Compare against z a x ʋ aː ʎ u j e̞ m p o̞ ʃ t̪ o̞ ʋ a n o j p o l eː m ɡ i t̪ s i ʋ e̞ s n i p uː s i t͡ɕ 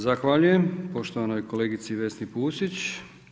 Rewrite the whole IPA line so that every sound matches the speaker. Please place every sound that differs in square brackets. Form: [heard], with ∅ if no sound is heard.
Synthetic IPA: z a x ʋ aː ʎ u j e̞ m p o̞ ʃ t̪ o̞ ʋ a n o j [k] o l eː [∅] ɡ i t̪ s i ʋ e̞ s n i p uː s i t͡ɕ